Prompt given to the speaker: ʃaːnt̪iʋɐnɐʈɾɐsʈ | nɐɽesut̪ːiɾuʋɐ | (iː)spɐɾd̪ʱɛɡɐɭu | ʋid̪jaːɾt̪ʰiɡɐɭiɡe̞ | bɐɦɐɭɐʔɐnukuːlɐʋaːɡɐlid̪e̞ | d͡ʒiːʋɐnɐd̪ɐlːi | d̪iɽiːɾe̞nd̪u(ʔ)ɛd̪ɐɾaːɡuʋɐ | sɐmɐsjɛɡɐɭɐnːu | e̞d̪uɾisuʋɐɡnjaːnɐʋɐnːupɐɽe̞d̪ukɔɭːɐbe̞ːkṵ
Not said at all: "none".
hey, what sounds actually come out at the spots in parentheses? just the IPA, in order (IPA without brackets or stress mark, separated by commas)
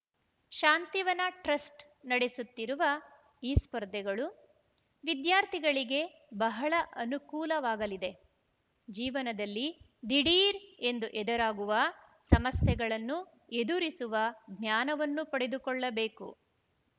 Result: iː, ʔ